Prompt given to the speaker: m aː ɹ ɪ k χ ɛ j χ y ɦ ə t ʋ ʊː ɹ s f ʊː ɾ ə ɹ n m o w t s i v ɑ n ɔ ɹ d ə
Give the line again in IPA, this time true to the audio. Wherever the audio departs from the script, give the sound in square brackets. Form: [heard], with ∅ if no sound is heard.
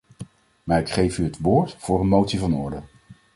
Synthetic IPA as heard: m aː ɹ ɪ k χ [e] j [f] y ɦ ə t ʋ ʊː ɹ [t] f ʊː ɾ ə [∅] n m o w t s i v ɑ n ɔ ɹ d ə